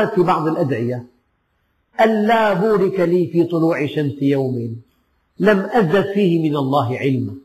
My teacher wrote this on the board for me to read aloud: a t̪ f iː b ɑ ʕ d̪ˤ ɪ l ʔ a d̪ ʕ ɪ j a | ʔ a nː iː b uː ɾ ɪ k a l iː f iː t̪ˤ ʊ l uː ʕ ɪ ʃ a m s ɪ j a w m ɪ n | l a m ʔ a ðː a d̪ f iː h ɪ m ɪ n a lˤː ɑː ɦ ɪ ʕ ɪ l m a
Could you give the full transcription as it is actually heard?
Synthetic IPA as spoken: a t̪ f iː b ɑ ʕ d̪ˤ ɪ l ʔ a d̪ ʕ ɪ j a | ʔ a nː aː b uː ɾ ɪ k a l iː f iː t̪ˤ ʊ l uː ʕ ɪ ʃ a m s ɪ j a w m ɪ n | l a m ʔ a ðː a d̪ f iː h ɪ m ɪ n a lˤː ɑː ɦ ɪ ʕ ɪ l m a